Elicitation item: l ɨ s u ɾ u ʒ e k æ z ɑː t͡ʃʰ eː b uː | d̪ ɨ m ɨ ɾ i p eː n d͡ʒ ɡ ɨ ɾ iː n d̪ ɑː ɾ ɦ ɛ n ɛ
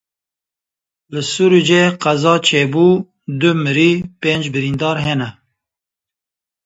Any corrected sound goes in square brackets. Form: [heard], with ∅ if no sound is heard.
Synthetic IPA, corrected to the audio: l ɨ s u ɾ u [d͡ʒ] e [q] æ z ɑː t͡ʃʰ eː b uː | d̪ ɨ m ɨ ɾ i p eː n d͡ʒ [b] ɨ ɾ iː n d̪ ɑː ɾ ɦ ɛ n ɛ